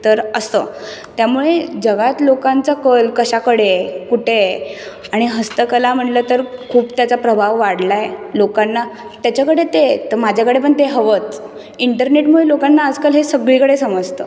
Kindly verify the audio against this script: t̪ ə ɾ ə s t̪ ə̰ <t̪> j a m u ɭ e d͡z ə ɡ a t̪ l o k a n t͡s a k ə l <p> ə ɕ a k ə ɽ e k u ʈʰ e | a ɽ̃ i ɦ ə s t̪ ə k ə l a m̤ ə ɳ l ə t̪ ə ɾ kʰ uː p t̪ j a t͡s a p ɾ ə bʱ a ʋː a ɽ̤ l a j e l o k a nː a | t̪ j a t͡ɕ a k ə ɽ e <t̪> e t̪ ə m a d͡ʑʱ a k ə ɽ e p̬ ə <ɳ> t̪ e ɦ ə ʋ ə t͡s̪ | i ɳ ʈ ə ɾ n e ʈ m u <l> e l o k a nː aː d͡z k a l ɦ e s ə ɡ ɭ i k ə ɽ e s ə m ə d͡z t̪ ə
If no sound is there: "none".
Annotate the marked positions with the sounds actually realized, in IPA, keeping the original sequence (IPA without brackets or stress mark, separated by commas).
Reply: t̪, k, t̪, ɳ, ɭ